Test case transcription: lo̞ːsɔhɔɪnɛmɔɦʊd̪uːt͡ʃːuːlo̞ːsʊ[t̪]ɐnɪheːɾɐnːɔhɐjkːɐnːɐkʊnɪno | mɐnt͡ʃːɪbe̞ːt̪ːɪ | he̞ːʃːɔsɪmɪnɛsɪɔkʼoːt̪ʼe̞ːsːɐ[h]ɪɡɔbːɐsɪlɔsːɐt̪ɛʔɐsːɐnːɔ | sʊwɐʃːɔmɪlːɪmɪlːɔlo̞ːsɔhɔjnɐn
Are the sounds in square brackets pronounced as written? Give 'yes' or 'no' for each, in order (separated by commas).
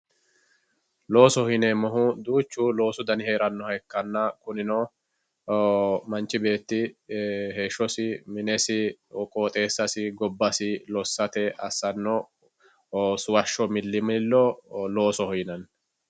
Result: no, no